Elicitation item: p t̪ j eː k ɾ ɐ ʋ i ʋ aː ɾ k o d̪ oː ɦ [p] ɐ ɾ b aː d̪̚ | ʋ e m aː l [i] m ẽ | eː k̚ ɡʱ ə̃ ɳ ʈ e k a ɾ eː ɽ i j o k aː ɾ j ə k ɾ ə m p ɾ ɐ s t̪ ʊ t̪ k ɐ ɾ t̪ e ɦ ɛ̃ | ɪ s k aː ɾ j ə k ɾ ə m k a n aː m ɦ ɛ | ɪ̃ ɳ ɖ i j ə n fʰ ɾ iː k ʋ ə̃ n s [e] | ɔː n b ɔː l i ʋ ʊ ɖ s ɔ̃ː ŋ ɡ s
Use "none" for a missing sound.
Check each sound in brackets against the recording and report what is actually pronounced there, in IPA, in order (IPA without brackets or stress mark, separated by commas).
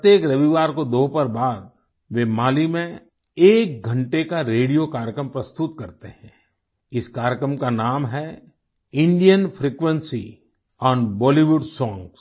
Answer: p, i, i